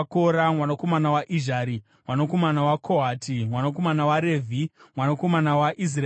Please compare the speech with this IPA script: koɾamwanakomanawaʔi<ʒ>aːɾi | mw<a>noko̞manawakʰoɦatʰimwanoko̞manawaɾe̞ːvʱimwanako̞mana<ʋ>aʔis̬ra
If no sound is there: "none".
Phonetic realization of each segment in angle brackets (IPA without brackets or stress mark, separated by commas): ʒ, a, w